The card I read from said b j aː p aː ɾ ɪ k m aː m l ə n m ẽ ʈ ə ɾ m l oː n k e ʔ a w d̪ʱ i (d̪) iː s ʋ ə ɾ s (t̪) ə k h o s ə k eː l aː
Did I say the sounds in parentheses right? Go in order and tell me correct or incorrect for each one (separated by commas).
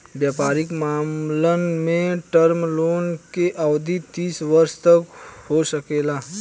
incorrect, correct